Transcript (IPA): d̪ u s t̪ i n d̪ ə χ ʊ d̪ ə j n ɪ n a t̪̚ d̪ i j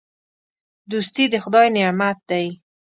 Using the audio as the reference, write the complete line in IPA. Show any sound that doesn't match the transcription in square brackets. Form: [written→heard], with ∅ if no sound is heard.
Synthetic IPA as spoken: d̪ u s t̪ i [n→∅] d̪ ə [χ→x] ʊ d̪ [ə→ɑ] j n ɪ [n→m] a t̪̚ d̪ [i→a] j